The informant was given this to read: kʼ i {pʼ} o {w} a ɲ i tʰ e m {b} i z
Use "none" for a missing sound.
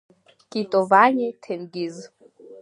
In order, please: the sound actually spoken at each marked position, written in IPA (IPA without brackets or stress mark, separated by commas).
tʼ, v, ɡ